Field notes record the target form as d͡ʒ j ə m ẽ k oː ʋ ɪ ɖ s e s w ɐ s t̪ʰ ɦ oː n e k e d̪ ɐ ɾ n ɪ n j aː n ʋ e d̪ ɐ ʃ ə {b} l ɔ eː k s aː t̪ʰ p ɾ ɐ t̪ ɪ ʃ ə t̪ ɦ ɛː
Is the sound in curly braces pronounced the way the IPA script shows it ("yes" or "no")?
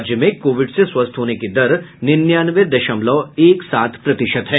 no